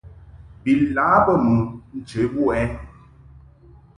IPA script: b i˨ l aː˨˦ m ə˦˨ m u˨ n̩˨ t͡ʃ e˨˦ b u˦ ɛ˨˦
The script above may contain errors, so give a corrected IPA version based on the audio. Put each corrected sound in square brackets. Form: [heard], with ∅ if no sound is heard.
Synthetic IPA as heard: b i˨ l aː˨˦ [b] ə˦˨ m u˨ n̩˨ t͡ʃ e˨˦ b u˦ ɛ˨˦